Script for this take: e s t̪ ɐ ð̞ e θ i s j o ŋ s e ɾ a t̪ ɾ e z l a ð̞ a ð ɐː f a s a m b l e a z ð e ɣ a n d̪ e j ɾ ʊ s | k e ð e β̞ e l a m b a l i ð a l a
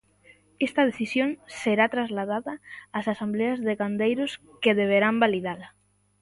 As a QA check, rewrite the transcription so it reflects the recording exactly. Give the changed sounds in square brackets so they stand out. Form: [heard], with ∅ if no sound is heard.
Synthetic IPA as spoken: e s t̪ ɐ ð̞ e θ i s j o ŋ s e ɾ a t̪ ɾ [a] z l a ð̞ a ð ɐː [s] a s a m b l e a z ð e ɣ a n d̪ e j ɾ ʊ s | k e ð e β̞ e [ɾ] a m b a l i ð a l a